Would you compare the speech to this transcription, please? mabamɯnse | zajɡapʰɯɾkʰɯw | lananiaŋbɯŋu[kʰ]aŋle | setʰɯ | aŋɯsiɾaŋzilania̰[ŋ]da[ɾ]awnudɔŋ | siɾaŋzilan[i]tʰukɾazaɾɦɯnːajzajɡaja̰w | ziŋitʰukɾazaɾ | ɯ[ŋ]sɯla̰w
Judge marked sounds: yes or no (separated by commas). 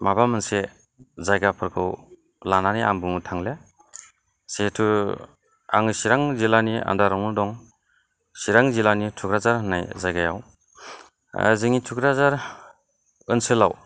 no, no, yes, yes, no